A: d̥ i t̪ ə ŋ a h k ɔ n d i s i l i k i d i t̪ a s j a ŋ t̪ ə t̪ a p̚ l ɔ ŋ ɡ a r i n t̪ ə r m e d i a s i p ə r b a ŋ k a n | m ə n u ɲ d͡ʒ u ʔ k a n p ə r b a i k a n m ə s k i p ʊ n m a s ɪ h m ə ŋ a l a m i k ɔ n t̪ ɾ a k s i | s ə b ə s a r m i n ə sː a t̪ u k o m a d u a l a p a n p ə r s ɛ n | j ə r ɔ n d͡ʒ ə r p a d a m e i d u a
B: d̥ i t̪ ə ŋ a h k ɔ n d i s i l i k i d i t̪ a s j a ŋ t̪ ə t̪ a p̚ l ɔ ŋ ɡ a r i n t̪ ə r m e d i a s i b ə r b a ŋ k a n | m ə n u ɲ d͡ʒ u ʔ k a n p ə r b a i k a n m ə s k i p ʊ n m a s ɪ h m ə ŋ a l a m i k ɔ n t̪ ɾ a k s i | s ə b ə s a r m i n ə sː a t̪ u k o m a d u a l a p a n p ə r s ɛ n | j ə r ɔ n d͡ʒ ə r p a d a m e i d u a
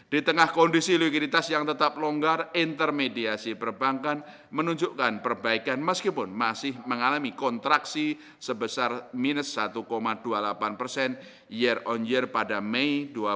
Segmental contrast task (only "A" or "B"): A